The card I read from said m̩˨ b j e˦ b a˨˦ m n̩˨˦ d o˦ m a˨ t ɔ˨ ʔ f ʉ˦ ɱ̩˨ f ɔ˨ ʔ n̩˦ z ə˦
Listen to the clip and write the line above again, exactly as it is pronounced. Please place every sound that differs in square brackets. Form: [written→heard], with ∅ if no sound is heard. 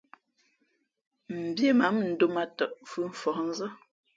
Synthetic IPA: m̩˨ b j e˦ [b→m] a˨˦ m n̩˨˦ d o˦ m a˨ t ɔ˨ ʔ f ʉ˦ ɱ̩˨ f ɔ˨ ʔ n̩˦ z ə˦